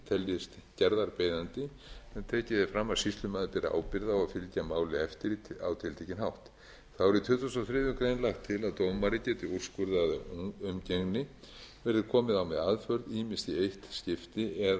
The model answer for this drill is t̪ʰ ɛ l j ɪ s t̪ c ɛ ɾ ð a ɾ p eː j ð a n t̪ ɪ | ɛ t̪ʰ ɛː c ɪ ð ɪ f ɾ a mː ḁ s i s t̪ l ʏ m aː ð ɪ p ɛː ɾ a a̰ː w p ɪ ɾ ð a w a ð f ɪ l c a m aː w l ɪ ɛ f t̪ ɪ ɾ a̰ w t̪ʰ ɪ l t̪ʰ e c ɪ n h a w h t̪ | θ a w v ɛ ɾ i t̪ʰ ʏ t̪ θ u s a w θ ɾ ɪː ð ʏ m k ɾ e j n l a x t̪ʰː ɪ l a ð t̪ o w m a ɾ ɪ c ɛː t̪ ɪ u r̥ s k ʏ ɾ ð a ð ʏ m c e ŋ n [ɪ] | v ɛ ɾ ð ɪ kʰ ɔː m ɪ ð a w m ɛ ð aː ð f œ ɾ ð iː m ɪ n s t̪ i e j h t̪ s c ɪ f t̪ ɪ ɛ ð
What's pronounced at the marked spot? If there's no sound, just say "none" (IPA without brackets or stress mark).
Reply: ɪ